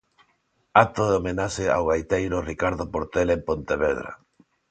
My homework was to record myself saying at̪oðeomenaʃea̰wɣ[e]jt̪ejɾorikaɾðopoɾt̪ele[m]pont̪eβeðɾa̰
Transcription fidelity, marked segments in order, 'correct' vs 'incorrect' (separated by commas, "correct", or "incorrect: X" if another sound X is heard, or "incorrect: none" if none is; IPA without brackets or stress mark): incorrect: a, correct